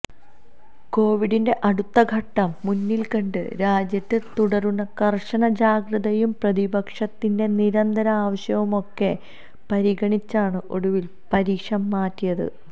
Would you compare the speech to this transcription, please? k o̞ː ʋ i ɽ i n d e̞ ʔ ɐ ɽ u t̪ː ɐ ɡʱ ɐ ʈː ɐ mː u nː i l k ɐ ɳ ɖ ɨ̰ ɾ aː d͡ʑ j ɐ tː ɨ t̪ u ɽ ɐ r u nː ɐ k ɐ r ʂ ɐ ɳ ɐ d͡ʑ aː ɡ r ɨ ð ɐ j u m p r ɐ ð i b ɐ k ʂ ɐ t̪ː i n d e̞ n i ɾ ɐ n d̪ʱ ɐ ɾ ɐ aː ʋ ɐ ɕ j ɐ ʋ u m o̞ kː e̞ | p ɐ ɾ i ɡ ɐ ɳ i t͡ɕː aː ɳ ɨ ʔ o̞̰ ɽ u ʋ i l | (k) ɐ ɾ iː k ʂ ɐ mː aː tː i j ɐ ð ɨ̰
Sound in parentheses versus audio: incorrect: p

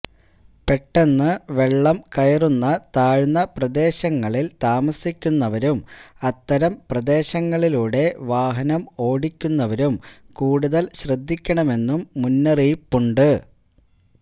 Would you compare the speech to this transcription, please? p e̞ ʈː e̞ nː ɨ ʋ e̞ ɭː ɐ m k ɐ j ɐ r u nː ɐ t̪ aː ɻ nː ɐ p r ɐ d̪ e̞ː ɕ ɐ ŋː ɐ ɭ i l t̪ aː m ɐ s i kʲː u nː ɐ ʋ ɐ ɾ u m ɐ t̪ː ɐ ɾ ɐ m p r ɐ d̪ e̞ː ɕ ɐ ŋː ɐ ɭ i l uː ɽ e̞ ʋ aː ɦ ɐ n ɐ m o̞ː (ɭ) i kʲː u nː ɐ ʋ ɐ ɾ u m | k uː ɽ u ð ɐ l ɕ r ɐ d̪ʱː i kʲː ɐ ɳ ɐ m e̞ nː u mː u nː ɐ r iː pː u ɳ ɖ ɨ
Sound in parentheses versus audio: incorrect: ɽ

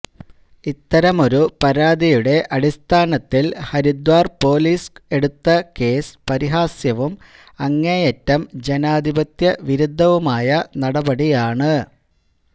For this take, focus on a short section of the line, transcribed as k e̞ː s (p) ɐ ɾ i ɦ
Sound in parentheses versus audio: correct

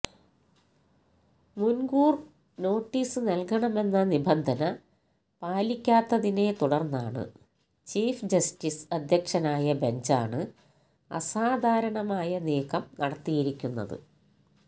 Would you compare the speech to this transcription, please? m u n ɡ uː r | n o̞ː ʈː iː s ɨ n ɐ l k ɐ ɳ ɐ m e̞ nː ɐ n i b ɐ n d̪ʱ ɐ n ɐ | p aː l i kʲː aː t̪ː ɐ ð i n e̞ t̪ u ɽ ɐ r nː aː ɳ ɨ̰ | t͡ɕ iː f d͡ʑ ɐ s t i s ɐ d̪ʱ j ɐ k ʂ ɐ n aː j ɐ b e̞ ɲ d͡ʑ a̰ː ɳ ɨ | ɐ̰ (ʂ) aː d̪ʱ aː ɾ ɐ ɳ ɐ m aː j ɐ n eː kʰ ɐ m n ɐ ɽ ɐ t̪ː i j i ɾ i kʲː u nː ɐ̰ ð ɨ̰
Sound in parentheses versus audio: incorrect: s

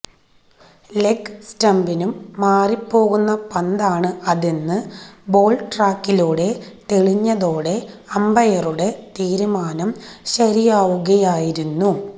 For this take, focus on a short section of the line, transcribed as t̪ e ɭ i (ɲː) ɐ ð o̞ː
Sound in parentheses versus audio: correct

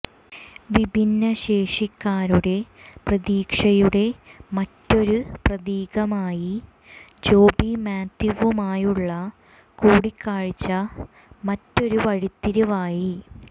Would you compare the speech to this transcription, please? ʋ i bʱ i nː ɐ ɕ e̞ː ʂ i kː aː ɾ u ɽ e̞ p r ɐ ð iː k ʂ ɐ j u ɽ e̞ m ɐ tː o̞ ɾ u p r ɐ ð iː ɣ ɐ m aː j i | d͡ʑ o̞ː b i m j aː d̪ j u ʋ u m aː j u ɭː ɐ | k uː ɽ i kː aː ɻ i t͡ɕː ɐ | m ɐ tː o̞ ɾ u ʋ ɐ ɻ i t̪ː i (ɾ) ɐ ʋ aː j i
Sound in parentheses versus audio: correct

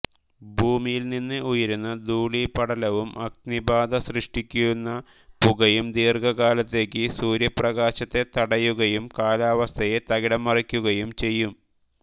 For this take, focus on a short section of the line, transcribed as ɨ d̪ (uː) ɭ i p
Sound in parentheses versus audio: correct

